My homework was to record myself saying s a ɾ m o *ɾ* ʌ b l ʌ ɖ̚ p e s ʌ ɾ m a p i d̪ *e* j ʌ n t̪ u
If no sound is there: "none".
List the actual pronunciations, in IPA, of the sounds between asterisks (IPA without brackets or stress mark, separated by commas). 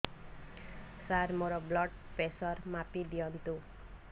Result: ɾ, i